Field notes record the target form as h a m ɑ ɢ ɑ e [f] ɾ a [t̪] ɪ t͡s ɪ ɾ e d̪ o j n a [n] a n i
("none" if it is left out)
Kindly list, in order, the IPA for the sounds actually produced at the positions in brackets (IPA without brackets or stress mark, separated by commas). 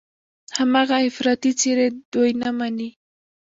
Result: f, t̪, m